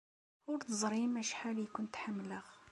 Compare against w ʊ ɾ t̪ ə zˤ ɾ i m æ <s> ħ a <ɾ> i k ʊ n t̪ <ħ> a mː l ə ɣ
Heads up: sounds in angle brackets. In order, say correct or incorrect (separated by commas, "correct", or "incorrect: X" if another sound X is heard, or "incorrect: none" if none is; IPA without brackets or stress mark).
incorrect: ʃ, incorrect: l, correct